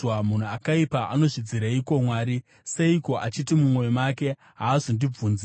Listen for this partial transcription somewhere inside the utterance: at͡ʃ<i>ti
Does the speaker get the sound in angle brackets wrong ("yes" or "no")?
no